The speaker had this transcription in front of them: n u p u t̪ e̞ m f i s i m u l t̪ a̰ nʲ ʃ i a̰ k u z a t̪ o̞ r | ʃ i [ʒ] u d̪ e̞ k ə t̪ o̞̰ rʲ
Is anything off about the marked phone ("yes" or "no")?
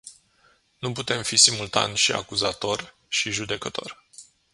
no